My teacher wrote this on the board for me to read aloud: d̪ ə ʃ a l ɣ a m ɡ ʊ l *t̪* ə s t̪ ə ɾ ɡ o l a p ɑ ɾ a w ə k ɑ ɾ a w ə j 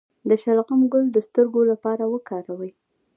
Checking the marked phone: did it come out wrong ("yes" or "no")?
yes